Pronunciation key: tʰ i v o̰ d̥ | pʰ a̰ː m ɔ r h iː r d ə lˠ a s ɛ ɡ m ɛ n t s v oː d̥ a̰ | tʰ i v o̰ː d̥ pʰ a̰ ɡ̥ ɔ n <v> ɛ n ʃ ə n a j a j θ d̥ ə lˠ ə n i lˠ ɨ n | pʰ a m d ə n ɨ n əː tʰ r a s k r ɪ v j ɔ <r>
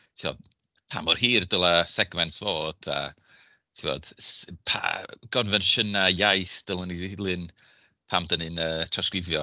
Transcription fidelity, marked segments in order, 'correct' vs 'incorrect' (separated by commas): correct, incorrect